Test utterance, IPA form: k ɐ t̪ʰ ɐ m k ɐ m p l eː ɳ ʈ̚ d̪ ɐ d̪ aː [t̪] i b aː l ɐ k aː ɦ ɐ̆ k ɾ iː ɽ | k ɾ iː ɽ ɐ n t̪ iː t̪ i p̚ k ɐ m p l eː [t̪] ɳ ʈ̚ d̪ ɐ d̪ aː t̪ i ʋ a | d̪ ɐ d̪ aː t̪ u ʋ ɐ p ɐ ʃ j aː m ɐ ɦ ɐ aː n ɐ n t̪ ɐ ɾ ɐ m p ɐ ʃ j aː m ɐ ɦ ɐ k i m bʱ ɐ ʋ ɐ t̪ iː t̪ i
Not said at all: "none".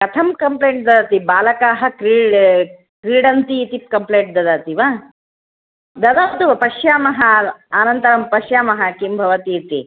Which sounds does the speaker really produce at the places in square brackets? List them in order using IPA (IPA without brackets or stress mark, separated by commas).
t̪, none